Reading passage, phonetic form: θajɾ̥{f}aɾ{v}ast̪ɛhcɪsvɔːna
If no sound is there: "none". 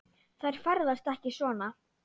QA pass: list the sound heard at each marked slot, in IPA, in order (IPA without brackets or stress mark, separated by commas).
f, ð